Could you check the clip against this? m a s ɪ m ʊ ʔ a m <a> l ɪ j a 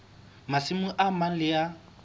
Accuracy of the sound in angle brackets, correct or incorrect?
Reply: correct